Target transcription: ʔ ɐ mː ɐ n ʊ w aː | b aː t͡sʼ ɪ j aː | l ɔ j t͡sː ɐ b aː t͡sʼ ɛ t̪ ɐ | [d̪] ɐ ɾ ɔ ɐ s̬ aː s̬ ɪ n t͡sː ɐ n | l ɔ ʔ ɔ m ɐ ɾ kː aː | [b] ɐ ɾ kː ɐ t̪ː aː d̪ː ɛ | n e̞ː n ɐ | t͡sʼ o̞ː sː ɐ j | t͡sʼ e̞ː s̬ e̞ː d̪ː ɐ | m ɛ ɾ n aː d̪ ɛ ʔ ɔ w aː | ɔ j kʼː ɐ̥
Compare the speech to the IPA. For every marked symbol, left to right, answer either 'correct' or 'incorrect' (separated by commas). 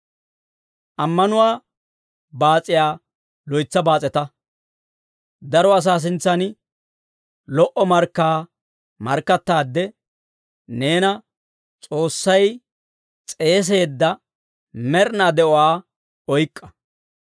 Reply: correct, incorrect